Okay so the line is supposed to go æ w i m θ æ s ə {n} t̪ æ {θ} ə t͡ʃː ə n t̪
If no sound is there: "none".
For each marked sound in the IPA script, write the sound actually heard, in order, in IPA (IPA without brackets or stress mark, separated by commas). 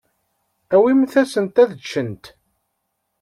n, ð